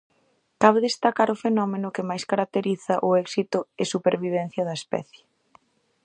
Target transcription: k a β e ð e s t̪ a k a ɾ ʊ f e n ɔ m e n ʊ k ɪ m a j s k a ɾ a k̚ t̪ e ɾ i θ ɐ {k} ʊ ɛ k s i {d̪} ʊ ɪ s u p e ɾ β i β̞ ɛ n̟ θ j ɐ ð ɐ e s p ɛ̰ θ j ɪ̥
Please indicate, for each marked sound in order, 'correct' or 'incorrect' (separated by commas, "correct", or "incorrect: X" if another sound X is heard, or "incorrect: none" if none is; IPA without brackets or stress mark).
incorrect: ʔ, incorrect: t̪